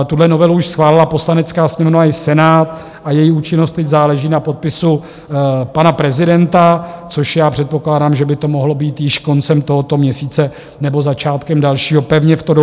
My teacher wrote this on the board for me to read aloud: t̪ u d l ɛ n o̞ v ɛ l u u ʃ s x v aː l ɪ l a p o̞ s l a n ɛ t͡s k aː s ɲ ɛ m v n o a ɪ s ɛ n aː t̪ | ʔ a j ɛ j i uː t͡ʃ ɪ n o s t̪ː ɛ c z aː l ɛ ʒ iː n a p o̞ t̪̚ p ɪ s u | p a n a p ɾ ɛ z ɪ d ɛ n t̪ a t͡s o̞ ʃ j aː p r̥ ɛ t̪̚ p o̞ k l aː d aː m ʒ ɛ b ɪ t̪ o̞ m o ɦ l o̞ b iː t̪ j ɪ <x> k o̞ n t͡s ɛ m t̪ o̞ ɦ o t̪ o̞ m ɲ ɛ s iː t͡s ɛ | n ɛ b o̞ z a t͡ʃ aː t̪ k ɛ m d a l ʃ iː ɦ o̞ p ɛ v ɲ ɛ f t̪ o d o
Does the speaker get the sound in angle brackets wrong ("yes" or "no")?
yes